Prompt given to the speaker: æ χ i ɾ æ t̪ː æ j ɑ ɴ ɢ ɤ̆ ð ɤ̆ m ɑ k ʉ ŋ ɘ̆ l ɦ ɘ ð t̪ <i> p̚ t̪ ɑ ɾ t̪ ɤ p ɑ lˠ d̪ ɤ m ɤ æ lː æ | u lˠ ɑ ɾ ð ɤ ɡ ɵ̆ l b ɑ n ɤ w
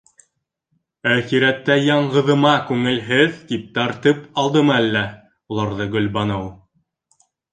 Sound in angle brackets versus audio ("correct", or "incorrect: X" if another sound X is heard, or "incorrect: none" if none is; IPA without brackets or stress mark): correct